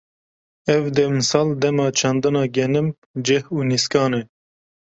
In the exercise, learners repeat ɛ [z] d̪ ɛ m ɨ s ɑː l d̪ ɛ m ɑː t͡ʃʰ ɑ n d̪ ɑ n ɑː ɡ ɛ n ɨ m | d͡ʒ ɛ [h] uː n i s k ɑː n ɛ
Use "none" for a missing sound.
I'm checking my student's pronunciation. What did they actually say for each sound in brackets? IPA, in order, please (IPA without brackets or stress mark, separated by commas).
v, h